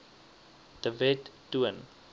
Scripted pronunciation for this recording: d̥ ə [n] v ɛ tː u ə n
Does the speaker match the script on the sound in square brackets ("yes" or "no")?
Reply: no